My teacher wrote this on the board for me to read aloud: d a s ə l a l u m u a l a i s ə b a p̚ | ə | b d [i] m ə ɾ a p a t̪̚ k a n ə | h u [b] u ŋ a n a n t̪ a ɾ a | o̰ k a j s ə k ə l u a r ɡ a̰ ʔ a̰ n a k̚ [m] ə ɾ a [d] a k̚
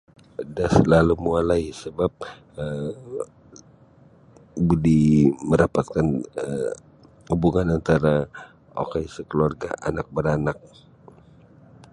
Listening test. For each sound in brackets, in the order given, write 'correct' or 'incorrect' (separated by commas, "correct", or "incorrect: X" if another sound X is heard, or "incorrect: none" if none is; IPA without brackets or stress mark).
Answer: correct, correct, incorrect: b, incorrect: n